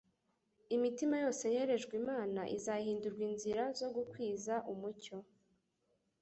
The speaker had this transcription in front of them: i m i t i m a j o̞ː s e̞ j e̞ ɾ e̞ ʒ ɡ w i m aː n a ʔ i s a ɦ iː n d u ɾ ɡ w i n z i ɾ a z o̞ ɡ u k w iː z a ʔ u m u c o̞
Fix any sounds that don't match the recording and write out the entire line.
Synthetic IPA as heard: i m i t i m a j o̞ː s e̞ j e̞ ɾ e̞ ʒ ɡ w i m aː n a ʔ i z a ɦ iː n d u ɾ ɡ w i n z i ɾ a z o̞ ɡ u k w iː z a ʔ u m u c o̞